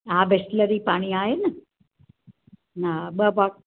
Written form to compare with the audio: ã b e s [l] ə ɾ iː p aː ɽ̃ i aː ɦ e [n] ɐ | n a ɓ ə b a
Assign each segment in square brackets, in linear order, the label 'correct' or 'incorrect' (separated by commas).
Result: correct, correct